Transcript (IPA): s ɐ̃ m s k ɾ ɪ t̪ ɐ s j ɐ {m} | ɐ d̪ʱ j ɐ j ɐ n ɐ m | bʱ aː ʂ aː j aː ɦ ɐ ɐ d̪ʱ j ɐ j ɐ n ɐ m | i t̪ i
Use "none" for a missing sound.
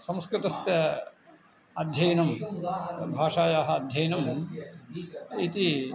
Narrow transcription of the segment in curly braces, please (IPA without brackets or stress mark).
none